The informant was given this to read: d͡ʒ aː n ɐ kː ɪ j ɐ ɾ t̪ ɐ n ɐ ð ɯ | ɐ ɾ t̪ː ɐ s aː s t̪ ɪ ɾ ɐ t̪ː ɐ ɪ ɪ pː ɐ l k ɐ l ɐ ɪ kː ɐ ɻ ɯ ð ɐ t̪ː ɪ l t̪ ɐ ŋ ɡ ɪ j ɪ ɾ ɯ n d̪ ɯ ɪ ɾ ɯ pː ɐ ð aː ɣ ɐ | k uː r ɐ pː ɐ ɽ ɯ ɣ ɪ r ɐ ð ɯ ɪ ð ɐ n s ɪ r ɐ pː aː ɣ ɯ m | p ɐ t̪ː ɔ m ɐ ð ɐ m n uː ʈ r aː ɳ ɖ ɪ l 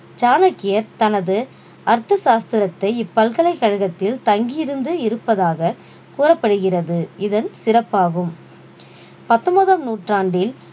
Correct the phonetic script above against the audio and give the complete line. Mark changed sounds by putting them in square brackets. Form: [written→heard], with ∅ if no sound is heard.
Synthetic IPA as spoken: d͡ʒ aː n ɐ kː ɪ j ɐ ɾ t̪ ɐ n ɐ ð ɯ | ɐ ɾ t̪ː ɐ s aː s t̪ ɪ ɾ ɐ t̪ː ɐ ɪ ɪ pː ɐ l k ɐ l ɐ ɪ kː ɐ ɻ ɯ [ð→ɣ] ɐ t̪ː ɪ l t̪ ɐ ŋ ɡ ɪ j ɪ ɾ ɯ n d̪ ɯ ɪ ɾ ɯ pː ɐ ð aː ɣ ɐ | k uː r ɐ pː ɐ ɽ ɯ ɣ ɪ r ɐ ð ɯ ɪ ð ɐ n s ɪ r ɐ pː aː ɣ ɯ m | p ɐ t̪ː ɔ m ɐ ð ɐ m n uː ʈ r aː ɳ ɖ ɪ l